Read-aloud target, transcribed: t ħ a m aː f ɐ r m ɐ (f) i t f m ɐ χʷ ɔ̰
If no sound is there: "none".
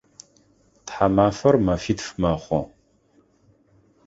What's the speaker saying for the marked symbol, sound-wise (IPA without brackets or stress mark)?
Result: f